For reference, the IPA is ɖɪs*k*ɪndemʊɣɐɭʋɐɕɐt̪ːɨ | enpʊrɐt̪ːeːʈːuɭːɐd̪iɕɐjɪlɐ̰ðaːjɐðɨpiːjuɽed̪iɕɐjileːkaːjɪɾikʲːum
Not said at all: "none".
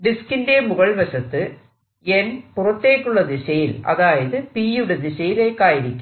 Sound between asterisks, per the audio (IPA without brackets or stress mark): k